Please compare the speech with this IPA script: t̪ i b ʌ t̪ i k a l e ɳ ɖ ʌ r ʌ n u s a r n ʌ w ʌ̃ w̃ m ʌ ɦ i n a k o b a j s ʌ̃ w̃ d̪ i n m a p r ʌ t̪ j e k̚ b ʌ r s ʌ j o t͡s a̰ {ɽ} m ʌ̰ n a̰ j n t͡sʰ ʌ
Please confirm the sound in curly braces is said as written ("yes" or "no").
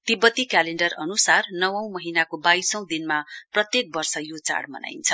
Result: yes